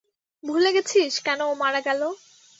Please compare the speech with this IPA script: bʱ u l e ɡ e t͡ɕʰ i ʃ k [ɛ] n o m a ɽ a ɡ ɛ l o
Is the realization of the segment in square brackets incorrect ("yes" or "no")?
no